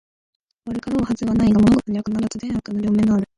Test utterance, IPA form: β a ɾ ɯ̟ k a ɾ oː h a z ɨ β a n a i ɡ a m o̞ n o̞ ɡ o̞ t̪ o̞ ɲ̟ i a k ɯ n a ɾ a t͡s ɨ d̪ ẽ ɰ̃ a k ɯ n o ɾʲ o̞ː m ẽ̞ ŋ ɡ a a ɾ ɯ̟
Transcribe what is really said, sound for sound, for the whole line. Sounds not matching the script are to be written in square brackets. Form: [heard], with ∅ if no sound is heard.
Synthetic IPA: β a ɾ ɯ̟ k a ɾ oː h a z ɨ β a n a i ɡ a m o̞ n o̞ ɡ o̞ t̪ o̞ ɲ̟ i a k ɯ n a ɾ a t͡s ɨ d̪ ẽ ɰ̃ a k ɯ n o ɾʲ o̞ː m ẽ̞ ŋ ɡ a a ɾ ɯ̟

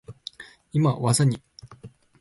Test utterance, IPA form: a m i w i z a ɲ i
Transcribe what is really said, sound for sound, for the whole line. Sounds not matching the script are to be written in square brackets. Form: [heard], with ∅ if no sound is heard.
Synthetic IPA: [i] m [a] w [a] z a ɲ i

